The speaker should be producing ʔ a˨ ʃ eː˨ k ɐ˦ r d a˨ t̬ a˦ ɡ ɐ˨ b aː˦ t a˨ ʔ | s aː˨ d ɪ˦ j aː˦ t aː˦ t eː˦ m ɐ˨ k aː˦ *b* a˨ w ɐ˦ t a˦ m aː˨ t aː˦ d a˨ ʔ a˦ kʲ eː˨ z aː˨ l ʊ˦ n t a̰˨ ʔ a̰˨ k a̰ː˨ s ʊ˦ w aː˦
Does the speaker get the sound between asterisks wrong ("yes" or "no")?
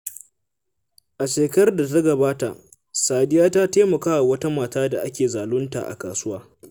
yes